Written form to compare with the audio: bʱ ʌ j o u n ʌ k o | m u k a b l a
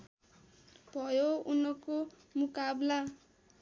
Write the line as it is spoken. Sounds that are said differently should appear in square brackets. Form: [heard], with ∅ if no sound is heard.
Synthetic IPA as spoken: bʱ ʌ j o u n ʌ k o | m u k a b l a